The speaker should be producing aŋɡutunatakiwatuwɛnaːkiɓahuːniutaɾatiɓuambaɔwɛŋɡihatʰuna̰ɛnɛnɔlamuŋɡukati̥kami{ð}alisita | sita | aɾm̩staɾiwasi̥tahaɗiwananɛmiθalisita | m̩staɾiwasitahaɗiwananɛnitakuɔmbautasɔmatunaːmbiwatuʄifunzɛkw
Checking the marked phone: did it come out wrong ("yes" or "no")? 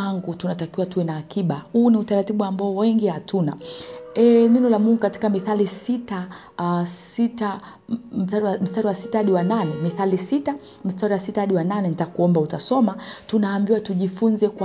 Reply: yes